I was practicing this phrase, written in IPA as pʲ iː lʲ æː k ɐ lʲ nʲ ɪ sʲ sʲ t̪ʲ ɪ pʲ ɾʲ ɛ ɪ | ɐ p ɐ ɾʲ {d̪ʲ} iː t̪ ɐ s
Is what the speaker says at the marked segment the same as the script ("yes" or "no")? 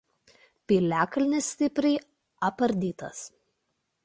yes